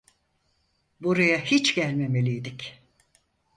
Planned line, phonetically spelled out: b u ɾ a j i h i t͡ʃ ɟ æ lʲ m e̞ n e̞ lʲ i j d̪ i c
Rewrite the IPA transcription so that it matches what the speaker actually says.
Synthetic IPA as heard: b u ɾ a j a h i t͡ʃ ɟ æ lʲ m e̞ m e̞ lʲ i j d̪ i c